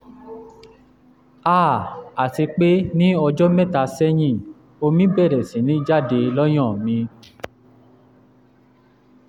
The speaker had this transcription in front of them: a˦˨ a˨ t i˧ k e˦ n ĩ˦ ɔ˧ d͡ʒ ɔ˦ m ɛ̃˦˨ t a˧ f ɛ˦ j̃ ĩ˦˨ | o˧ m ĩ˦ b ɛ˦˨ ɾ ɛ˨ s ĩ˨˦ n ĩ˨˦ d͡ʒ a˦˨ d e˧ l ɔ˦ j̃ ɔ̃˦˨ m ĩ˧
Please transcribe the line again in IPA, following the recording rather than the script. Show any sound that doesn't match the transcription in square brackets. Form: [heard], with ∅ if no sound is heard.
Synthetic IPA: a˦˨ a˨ t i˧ [k͡p] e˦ n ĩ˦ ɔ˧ d͡ʒ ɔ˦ m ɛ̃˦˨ t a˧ [s] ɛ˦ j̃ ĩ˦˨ | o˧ m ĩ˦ b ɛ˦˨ ɾ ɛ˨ s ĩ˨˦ n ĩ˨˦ d͡ʒ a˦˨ d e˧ l ɔ˦ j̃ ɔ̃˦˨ m ĩ˧